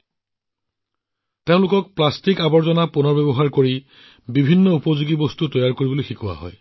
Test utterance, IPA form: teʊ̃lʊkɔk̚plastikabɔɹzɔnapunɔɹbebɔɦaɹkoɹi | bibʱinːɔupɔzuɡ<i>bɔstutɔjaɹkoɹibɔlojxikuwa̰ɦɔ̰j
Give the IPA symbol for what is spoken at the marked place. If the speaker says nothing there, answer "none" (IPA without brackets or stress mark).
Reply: i